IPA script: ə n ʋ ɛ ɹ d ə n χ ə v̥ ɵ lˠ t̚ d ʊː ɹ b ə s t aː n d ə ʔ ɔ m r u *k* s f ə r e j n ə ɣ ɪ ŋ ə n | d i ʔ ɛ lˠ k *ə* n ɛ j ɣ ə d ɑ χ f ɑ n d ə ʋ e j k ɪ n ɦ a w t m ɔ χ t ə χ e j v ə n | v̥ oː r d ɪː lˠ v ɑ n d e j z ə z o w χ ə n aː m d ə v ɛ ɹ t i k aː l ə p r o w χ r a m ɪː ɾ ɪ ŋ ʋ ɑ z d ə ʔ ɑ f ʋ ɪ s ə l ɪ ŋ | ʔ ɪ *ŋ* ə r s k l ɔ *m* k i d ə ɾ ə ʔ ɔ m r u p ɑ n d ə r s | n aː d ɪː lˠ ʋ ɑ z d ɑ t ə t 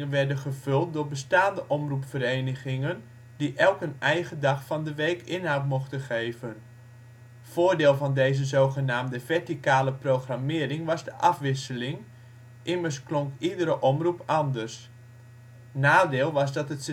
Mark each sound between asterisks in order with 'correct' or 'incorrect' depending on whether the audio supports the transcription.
incorrect: p, correct, incorrect: m, incorrect: ŋ

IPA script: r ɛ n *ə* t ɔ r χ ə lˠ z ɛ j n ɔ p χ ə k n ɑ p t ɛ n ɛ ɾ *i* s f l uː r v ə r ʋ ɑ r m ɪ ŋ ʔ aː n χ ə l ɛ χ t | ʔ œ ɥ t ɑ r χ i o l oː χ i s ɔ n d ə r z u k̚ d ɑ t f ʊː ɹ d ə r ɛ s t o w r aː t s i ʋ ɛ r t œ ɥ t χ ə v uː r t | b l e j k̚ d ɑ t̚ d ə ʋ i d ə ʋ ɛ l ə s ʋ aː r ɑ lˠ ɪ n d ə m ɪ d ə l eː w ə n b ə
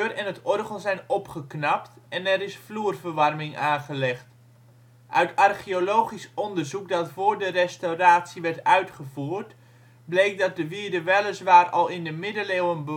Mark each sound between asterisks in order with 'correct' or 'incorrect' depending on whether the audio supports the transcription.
correct, incorrect: ɪ

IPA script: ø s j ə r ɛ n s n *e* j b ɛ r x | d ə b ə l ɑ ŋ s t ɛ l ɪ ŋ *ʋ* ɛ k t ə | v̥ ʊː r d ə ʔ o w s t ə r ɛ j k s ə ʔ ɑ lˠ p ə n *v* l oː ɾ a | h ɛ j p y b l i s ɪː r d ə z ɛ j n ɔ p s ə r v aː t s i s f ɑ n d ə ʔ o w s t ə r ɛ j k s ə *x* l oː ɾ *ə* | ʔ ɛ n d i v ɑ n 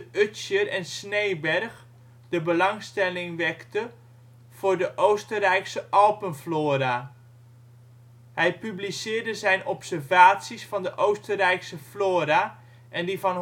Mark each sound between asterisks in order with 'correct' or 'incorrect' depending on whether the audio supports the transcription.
correct, correct, incorrect: f, incorrect: f, incorrect: a

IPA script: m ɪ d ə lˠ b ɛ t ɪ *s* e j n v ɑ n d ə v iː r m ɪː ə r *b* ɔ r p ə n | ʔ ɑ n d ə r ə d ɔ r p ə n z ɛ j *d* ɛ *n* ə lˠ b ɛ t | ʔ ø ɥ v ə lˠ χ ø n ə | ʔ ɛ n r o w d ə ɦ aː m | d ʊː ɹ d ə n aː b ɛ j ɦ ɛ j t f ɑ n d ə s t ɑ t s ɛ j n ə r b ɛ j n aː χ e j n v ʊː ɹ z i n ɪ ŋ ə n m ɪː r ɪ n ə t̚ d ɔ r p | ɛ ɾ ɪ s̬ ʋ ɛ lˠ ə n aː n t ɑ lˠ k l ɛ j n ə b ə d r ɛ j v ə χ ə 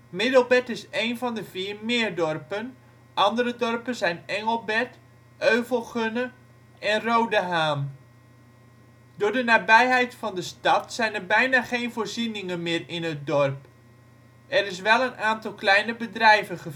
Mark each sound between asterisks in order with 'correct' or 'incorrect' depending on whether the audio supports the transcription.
correct, incorrect: d, incorrect: n, incorrect: ŋ

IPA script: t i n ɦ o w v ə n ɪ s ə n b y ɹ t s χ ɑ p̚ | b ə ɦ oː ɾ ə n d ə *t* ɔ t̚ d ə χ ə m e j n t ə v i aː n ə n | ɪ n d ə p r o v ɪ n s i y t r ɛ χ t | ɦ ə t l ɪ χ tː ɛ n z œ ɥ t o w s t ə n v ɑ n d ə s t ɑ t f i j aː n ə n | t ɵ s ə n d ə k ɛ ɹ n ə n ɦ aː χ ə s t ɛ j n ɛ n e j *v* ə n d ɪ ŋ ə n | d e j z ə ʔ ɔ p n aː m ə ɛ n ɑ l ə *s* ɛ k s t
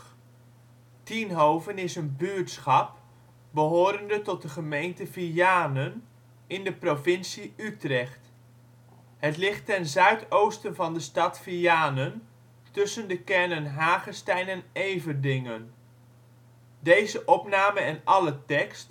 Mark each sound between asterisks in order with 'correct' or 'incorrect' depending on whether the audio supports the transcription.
correct, correct, incorrect: t

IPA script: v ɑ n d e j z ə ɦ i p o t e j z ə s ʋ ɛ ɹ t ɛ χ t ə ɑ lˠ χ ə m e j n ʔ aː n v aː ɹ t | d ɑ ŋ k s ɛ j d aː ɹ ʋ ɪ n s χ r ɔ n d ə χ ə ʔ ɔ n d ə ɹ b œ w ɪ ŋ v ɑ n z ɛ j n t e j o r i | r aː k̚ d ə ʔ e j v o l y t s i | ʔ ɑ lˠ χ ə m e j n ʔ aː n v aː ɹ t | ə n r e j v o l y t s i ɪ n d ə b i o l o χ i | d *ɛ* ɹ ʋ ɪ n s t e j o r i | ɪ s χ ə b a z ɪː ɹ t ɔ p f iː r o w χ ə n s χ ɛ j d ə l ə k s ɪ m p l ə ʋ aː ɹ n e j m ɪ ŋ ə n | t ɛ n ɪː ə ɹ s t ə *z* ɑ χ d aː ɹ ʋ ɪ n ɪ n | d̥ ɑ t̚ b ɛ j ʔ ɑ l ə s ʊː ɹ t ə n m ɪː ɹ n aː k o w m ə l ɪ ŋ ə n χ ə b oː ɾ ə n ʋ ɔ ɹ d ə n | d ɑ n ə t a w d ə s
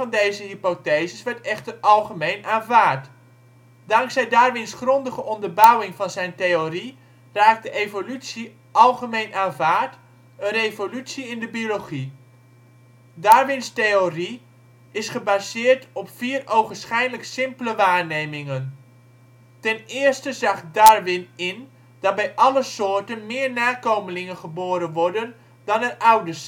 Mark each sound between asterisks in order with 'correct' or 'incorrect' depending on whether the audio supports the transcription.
incorrect: a, correct

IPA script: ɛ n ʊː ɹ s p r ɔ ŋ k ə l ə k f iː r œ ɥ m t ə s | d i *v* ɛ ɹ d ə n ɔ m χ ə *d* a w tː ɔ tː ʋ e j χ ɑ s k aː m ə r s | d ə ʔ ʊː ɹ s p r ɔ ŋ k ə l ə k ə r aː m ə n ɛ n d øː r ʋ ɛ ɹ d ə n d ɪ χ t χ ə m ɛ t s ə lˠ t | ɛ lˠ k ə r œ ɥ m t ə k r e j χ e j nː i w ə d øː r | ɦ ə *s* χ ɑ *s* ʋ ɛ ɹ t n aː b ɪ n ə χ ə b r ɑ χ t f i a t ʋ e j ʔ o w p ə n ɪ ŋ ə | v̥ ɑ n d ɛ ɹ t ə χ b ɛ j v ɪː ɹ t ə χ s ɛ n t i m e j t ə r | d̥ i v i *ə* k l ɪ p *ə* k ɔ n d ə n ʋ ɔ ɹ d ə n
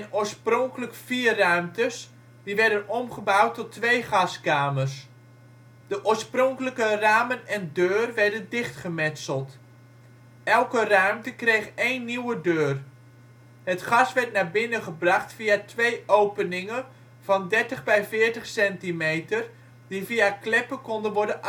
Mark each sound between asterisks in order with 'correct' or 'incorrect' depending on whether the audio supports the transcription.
incorrect: ʋ, incorrect: b, incorrect: t, correct, incorrect: a, correct

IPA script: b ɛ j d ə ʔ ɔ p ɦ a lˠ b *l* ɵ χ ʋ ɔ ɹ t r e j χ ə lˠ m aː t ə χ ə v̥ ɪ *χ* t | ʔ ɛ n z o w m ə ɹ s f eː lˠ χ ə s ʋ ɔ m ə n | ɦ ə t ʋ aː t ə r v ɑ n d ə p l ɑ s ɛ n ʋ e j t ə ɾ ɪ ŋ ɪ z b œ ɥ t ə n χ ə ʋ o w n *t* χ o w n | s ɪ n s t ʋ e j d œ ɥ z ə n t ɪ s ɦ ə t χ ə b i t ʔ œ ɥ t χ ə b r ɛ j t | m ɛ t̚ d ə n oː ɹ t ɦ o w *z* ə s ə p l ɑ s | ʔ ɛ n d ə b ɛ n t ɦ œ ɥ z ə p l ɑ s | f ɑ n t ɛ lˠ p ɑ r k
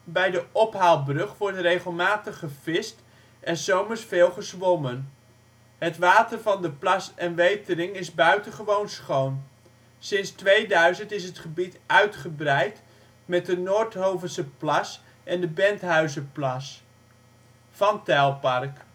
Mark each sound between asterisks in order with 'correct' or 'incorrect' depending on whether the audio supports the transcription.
incorrect: r, incorrect: s, incorrect: s, incorrect: v

